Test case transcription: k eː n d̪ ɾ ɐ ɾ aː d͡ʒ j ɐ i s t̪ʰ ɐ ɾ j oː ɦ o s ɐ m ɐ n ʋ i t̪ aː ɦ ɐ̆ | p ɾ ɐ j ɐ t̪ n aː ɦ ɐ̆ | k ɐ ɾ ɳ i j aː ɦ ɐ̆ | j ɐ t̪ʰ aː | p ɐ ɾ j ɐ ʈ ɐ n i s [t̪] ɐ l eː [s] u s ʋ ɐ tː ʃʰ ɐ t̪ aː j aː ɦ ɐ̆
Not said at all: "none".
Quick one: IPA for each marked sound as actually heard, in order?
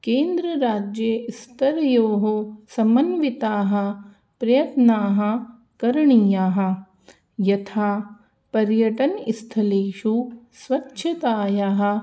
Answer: t̪ʰ, ʃ

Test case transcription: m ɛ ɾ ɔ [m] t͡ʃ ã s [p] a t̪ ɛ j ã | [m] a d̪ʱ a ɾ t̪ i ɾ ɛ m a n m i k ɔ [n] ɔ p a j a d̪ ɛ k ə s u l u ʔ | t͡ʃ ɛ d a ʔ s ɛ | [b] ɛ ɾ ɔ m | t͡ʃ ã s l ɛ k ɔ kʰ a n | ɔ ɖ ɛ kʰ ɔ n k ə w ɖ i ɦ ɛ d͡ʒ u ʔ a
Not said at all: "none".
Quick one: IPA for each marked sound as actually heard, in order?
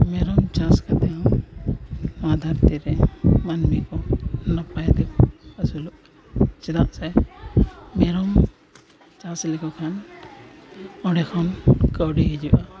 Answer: m, k, m, n, m

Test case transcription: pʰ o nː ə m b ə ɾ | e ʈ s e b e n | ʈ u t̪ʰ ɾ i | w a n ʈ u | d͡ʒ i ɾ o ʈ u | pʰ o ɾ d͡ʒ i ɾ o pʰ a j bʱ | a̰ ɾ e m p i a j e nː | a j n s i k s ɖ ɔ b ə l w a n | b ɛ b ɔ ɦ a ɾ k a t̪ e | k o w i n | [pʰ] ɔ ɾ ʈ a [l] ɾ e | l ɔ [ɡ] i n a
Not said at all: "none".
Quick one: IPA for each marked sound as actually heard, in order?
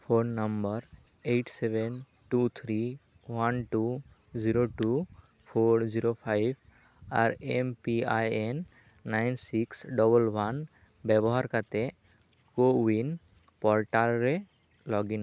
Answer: p, l, ɡ

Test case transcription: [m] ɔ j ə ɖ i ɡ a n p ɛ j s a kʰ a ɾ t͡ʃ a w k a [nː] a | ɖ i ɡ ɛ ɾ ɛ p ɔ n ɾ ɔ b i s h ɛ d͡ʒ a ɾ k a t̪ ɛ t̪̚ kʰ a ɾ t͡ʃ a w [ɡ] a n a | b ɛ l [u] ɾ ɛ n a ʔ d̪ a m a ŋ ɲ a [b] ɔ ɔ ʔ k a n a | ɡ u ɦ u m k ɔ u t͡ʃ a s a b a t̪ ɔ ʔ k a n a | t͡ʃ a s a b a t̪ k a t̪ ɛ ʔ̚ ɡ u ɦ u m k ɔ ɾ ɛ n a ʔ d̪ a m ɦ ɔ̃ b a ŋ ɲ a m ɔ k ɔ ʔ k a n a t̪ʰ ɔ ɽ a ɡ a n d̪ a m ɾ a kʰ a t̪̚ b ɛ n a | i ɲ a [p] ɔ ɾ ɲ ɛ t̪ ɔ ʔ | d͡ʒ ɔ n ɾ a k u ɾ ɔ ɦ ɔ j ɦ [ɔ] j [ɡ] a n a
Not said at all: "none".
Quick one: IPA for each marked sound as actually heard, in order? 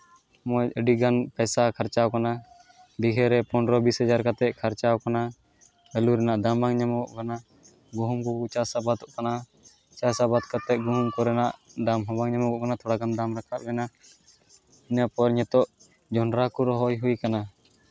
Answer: m, n, k, u, m, p, u, k

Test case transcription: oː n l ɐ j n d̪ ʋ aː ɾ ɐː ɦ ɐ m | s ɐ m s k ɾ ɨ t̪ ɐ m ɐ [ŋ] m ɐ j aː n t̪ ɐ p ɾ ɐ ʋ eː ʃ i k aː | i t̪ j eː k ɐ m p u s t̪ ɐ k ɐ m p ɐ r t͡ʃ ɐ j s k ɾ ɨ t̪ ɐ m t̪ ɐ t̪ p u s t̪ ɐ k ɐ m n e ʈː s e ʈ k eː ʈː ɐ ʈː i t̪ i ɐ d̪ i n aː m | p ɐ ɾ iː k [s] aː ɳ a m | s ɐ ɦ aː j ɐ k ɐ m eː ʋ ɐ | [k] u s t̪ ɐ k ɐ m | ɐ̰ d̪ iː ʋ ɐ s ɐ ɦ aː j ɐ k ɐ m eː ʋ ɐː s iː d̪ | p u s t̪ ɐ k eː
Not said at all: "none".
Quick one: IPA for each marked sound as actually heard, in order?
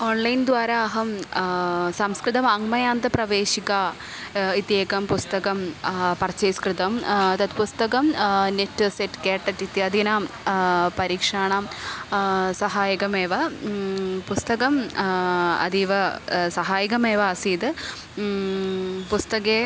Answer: ŋ, ʂ, p

